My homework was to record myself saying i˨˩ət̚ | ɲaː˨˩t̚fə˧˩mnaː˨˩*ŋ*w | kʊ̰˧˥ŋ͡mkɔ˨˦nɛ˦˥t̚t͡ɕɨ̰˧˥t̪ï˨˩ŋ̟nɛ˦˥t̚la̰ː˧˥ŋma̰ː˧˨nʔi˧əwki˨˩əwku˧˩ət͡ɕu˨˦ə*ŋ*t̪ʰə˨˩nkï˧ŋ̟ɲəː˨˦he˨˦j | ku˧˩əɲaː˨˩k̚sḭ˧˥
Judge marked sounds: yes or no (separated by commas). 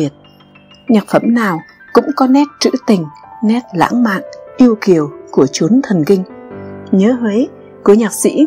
no, no